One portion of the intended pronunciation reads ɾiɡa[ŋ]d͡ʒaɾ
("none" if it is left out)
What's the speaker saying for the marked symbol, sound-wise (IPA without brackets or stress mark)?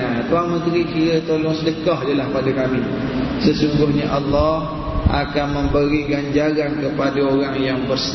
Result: ɲ